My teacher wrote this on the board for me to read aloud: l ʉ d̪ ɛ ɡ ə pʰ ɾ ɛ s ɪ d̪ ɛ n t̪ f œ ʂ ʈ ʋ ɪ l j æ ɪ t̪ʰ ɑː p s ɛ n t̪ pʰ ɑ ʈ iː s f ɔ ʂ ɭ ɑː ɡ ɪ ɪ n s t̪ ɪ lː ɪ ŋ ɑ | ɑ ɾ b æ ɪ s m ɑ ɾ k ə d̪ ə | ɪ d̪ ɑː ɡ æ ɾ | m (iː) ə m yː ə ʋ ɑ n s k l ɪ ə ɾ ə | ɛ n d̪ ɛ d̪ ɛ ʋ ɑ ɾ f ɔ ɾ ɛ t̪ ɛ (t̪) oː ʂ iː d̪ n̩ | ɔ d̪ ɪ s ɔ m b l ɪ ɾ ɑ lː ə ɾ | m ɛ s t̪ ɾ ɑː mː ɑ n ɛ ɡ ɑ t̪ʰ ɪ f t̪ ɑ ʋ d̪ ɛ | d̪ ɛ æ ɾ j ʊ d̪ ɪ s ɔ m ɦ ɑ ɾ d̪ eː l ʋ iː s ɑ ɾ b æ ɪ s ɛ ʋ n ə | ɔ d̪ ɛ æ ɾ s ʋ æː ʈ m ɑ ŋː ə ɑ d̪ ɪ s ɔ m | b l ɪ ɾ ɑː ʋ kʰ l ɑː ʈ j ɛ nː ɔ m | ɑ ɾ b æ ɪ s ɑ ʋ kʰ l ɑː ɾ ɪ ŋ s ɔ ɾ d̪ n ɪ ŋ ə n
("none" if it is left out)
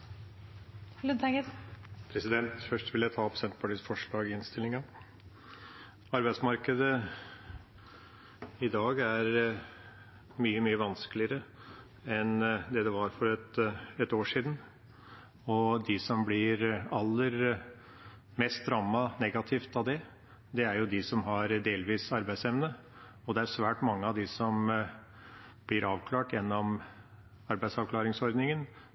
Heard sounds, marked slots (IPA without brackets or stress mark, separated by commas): yː, t̪